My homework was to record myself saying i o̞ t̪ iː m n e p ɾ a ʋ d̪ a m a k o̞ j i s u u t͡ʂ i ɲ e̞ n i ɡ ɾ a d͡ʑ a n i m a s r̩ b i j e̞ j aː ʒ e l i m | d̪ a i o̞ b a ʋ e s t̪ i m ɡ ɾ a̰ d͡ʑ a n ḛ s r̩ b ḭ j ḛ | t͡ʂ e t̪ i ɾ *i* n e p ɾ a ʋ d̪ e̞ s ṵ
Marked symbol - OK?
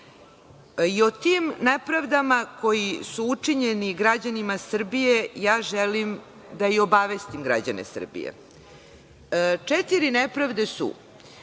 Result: yes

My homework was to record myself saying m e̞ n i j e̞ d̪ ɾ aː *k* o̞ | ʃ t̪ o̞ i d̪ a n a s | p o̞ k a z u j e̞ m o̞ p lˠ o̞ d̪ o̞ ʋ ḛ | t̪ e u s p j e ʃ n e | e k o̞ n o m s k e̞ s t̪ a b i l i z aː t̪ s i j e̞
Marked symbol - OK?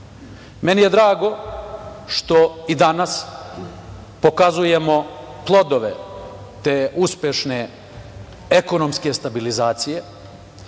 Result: no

